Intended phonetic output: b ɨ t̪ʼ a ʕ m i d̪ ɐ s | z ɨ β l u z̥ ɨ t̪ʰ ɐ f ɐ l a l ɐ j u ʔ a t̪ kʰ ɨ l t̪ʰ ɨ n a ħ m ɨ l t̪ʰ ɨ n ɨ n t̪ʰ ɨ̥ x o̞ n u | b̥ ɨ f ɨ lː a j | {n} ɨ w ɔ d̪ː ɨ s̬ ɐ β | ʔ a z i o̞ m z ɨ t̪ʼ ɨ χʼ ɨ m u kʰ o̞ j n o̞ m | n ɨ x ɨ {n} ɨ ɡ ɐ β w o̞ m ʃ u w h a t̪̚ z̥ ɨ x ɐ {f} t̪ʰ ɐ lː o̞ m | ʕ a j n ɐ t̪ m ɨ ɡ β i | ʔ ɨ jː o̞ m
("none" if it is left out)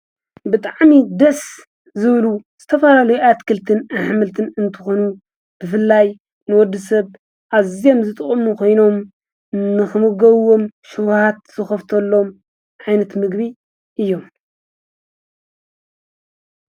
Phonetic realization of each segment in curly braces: n, m, f

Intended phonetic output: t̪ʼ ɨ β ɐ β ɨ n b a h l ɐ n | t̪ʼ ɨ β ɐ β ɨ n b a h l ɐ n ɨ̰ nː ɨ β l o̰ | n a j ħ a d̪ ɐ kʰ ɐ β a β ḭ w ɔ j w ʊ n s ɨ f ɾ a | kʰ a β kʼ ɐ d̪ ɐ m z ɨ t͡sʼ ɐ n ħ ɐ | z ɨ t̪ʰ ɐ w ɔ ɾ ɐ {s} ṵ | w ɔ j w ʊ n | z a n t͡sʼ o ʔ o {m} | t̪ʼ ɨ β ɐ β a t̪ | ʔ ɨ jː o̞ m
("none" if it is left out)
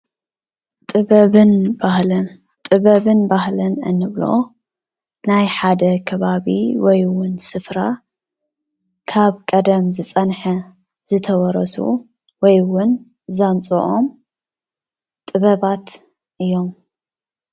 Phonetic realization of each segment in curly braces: s, m

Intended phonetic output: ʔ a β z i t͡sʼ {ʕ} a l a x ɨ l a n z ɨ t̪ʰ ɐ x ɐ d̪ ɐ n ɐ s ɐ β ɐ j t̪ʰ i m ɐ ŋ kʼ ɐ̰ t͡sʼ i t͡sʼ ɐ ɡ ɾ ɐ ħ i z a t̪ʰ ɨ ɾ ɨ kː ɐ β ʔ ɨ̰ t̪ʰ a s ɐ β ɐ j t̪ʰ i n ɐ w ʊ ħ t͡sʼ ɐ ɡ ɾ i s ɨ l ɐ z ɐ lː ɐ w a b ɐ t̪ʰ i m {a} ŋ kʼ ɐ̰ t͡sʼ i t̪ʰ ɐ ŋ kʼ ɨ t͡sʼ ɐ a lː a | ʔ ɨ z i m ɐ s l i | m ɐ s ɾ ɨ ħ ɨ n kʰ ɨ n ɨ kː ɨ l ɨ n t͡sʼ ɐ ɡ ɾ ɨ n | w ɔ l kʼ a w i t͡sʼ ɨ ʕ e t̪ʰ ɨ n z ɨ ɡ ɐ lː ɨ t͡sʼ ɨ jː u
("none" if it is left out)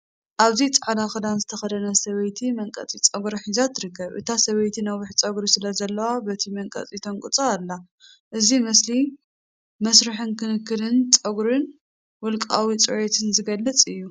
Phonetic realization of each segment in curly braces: ʕ, ɐ

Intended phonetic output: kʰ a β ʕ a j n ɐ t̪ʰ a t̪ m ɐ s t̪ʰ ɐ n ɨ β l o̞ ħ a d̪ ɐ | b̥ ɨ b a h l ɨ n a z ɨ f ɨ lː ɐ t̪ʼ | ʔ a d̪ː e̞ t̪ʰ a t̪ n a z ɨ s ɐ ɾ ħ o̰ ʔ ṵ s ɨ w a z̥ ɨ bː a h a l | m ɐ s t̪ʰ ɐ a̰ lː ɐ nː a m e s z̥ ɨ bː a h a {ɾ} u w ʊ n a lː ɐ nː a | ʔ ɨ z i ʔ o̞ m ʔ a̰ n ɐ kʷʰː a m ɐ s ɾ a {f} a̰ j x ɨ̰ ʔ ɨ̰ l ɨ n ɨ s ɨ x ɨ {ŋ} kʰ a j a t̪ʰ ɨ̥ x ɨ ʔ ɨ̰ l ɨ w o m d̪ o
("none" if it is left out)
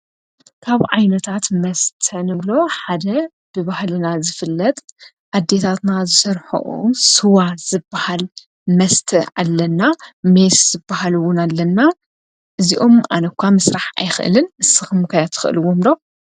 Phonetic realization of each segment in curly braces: l, ħ, m

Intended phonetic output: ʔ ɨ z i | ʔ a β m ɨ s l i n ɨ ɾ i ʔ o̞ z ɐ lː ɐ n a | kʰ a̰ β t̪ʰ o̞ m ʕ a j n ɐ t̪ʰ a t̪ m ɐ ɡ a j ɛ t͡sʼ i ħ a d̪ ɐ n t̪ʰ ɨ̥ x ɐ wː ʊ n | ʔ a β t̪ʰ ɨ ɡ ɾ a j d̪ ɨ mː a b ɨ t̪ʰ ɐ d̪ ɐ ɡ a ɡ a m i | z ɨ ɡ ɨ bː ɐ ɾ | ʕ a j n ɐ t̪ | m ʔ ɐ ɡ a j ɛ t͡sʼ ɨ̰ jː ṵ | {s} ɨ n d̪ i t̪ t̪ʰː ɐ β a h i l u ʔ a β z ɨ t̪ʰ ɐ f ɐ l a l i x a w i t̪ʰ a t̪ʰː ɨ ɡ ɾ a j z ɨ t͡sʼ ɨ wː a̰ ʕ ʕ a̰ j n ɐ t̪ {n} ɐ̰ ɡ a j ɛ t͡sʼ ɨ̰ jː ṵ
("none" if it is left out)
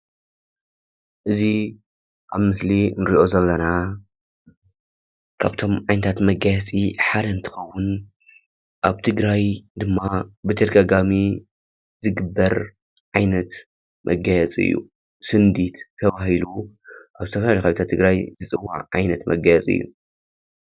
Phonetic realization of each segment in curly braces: s, m

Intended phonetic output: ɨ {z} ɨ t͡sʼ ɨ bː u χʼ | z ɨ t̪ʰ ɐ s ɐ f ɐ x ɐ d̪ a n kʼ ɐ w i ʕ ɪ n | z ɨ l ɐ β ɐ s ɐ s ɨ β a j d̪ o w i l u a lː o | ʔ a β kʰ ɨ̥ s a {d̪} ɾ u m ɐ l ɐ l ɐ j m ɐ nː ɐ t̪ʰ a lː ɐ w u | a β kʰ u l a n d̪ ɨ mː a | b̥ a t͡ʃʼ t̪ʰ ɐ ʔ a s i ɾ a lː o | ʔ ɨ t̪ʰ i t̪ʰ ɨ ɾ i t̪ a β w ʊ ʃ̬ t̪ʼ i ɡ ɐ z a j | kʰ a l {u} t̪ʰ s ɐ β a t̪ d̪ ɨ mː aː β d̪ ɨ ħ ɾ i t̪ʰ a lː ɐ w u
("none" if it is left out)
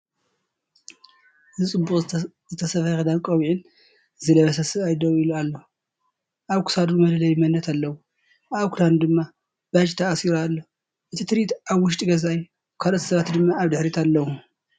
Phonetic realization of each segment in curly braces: z, d̪, o

